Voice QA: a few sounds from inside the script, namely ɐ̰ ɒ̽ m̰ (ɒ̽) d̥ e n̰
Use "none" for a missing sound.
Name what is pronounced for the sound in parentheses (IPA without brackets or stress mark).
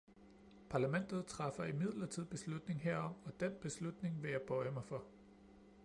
ɒ̽